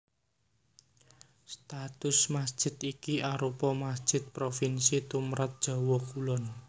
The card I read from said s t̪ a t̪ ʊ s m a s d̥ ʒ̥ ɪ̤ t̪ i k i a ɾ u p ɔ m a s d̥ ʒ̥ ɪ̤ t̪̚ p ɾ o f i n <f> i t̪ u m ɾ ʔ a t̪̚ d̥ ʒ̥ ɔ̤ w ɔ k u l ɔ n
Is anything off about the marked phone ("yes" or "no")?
yes